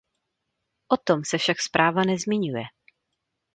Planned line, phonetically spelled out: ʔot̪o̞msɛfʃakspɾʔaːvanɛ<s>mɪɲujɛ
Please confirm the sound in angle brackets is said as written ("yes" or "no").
no